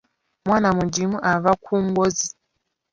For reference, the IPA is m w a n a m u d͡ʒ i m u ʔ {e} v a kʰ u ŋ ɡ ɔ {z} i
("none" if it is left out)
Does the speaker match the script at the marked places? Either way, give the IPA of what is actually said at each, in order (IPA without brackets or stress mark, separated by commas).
a, z